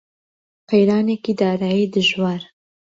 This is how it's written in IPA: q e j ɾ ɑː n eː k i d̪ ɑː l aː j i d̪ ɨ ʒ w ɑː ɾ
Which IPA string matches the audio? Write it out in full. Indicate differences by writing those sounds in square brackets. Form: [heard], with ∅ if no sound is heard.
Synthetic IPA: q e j ɾ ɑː n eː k i d̪ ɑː [ɾ] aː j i d̪ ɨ ʒ w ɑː ɾ